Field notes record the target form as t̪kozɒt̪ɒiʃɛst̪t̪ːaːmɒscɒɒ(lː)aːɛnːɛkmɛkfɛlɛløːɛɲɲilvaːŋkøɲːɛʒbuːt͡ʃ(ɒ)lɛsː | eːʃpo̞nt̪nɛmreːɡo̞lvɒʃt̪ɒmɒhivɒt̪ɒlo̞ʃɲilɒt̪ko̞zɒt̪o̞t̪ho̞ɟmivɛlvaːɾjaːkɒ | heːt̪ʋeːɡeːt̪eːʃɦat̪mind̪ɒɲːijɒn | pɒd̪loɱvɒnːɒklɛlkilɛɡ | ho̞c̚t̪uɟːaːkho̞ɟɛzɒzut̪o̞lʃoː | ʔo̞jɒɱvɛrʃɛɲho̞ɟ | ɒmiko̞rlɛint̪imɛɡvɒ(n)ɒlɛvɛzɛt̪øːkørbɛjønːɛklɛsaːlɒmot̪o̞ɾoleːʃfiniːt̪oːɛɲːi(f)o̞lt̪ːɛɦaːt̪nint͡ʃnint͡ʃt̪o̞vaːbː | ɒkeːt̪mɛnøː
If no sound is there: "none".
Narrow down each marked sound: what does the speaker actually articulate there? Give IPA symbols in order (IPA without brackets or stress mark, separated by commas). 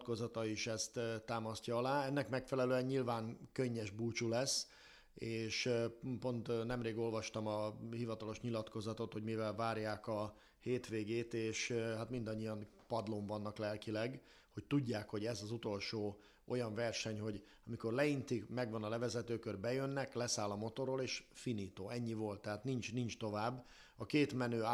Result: l, u, n, v